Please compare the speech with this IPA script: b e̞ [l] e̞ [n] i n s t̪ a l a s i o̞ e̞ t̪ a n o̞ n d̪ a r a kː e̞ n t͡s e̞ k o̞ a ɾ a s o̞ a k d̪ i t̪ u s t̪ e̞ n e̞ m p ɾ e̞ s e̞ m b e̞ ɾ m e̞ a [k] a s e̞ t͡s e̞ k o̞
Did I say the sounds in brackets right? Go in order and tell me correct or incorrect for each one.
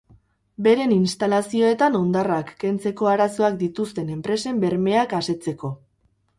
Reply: incorrect, correct, correct

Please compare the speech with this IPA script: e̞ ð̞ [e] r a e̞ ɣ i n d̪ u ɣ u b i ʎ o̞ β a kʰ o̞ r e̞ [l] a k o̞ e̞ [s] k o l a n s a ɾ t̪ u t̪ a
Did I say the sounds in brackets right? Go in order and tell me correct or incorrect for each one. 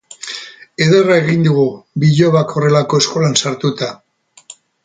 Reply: correct, correct, correct

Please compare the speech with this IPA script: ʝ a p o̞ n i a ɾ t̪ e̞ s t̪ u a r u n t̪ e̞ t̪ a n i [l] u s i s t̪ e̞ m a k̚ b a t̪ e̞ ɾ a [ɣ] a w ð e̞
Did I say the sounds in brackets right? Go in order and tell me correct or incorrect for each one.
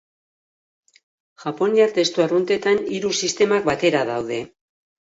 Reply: incorrect, incorrect

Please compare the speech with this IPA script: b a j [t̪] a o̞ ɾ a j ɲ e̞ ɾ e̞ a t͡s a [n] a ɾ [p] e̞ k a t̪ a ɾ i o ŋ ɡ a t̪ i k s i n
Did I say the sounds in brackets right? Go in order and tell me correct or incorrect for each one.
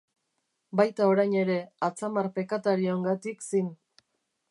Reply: correct, incorrect, correct

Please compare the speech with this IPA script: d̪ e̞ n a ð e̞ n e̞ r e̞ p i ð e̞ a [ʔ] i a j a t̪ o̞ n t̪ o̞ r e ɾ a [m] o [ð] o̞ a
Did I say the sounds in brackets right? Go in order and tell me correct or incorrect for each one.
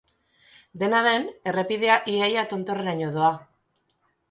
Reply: correct, incorrect, correct

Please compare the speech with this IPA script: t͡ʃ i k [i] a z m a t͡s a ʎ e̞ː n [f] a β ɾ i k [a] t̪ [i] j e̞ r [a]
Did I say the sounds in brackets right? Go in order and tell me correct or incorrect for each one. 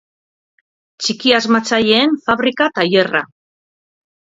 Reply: correct, correct, correct, incorrect, correct

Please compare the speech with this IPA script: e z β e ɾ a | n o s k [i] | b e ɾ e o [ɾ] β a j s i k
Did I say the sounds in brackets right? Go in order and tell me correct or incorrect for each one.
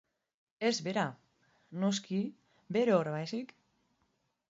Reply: correct, correct

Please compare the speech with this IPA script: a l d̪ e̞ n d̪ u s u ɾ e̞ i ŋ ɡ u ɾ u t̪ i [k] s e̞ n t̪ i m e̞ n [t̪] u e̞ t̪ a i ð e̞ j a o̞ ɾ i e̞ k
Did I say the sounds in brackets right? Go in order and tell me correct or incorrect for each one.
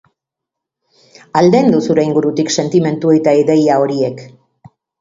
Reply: correct, correct

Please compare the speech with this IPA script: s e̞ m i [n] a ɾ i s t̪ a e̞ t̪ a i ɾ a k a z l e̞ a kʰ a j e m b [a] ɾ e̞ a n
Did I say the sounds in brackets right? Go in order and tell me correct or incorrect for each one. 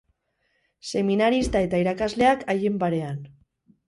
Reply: correct, correct

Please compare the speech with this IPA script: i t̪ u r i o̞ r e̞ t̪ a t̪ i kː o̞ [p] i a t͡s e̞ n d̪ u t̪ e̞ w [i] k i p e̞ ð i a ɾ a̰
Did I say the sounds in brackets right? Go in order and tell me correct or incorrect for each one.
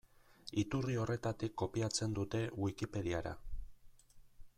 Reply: correct, correct

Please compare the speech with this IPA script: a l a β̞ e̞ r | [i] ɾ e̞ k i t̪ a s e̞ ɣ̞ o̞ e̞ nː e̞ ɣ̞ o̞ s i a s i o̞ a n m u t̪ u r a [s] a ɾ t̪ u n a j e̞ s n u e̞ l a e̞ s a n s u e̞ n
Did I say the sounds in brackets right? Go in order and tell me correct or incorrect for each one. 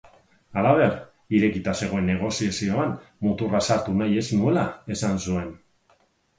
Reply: correct, correct

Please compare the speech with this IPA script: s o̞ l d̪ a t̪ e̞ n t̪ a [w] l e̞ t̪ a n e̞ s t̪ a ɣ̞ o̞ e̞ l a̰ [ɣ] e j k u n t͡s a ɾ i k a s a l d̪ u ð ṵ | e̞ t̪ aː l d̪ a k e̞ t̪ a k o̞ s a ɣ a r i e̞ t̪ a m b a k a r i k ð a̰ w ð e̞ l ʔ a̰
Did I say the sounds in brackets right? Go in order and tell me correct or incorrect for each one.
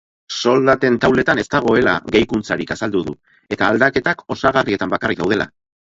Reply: correct, correct

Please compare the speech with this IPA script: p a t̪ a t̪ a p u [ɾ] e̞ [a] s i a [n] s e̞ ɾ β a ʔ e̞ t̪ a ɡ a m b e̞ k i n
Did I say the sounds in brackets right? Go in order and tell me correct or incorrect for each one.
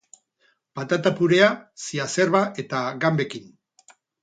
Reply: correct, correct, incorrect

